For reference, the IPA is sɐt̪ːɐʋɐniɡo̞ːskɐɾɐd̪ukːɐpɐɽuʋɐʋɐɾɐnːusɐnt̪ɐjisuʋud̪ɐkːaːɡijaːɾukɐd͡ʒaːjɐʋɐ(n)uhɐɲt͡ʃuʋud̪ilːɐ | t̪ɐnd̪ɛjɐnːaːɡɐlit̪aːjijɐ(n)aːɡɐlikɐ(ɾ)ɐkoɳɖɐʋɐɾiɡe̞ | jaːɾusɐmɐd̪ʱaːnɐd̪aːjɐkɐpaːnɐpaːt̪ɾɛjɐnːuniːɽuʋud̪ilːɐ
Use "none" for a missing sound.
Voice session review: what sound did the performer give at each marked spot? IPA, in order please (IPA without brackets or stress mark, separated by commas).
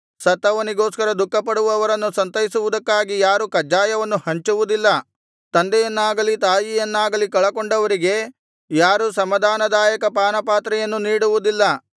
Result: nː, nː, ɭ